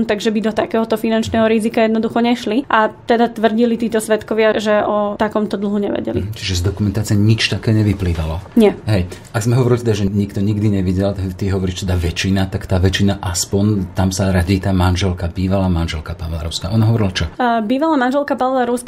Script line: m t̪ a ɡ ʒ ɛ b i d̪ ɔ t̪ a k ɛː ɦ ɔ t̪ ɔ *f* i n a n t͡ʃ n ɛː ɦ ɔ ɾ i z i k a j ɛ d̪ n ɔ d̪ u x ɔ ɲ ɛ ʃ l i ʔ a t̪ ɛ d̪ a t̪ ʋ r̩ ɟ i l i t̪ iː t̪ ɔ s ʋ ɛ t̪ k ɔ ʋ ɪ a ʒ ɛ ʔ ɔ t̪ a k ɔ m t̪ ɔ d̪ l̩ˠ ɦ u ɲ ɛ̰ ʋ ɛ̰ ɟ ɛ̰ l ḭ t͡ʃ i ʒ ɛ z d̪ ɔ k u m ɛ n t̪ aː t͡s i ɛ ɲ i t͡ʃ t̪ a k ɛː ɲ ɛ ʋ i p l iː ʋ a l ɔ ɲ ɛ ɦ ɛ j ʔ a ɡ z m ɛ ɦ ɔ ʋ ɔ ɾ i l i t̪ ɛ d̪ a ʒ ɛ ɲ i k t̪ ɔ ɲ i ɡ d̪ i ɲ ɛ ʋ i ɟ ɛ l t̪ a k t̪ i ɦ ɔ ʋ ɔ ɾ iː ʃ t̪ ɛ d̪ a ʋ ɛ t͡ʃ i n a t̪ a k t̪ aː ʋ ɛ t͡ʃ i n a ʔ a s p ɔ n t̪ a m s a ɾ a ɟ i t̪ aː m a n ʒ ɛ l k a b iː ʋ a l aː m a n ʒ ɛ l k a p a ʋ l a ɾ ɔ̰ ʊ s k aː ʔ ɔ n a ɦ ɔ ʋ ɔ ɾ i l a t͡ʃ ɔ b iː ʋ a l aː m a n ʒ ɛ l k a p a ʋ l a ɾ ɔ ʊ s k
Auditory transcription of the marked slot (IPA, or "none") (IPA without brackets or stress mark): f